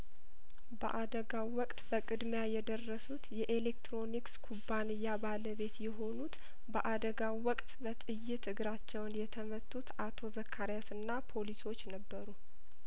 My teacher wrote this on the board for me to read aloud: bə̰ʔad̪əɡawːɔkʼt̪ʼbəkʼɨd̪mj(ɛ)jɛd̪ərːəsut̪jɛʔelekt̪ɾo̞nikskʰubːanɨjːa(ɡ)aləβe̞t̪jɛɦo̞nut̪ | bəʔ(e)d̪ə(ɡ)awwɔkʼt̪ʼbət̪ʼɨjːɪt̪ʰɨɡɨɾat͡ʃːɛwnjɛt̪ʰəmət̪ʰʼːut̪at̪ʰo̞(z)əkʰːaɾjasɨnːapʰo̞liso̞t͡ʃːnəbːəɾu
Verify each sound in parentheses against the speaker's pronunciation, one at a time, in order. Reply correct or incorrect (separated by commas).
incorrect, incorrect, incorrect, correct, correct